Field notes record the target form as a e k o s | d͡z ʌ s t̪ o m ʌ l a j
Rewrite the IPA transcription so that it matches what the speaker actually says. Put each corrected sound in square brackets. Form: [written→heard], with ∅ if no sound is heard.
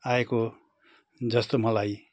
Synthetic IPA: a e k o [s→∅] | d͡z ʌ s t̪ o m ʌ l a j